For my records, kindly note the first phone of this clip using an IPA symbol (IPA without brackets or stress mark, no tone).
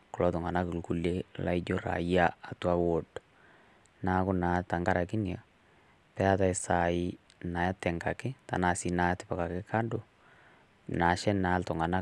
k